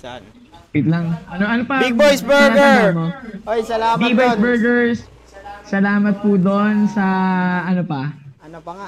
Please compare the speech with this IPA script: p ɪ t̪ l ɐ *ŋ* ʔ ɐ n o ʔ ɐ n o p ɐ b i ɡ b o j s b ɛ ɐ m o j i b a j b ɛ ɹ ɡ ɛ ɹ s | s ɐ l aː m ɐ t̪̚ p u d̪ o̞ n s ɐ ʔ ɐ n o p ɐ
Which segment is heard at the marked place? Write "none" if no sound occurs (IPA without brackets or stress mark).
ŋ